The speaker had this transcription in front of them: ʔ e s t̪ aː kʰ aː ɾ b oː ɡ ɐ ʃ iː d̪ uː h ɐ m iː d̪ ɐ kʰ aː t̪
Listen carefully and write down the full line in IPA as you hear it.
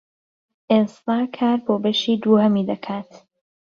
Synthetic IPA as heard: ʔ e s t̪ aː kʰ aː ɾ b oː b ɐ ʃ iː d̪ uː h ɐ m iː d̪ ɐ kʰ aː t̪